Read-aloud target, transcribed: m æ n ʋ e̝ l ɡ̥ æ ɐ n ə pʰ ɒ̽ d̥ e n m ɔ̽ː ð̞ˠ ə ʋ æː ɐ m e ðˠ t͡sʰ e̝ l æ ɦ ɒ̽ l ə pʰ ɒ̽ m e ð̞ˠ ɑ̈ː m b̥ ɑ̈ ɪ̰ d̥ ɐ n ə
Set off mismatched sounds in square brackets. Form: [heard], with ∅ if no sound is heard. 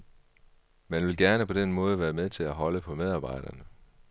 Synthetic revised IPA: m æ n ʋ e̝ l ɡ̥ æ ɐ n ə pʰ ɒ̽ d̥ e n m ɔ̽ː ð̞ˠ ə ʋ æː ɐ m e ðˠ t͡sʰ e̝ l æ ɦ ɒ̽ l ə pʰ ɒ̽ m e ð̞ˠ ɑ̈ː [∅] b̥ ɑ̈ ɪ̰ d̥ ɐ n ə